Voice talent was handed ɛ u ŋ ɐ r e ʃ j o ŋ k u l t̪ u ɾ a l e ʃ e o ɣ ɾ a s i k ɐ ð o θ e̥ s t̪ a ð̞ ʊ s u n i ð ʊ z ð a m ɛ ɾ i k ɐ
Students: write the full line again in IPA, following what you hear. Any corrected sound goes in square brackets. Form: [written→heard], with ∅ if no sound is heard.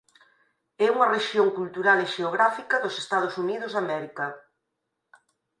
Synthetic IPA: ɛ u ŋ ɐ r e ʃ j o ŋ k u l t̪ u ɾ a l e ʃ e o ɣ ɾ a [s→f] i k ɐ ð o [θ→s] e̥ s t̪ a ð̞ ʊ s u n i ð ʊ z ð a m ɛ ɾ i k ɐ